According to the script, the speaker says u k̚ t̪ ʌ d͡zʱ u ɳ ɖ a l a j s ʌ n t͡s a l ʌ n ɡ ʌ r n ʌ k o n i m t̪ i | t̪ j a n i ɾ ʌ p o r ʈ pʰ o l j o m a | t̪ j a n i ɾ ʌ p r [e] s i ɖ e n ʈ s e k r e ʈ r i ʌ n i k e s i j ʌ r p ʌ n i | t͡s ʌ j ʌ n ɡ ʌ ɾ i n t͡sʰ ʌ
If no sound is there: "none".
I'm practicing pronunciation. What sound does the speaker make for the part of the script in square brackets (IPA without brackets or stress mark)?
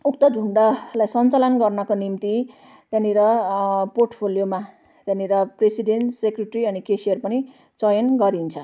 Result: e